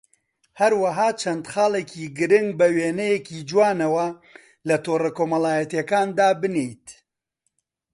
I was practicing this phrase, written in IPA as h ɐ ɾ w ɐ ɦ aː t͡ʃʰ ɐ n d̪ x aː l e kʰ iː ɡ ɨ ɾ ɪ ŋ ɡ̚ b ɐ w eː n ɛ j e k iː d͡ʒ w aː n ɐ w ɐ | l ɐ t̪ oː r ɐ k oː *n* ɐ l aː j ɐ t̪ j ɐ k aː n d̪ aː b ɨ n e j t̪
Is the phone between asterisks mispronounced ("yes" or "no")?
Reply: yes